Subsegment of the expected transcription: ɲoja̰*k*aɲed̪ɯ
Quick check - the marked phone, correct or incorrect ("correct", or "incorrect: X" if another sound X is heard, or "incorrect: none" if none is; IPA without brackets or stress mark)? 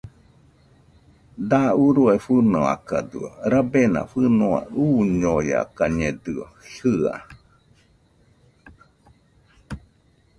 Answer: correct